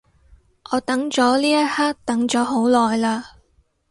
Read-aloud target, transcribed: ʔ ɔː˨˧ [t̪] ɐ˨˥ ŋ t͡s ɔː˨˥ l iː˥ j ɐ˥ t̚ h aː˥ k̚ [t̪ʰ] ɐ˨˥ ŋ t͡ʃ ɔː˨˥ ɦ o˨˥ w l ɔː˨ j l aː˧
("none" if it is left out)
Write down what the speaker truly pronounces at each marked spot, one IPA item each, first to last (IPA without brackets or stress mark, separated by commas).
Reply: t̪, t̪